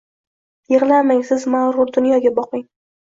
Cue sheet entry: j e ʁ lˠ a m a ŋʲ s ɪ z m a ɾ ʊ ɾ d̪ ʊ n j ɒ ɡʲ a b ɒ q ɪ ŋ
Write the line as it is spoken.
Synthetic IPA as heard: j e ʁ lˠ a m a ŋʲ s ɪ z m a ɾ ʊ ɾ d̪ ʊ n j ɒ ɡʲ a b ɒ q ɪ ŋ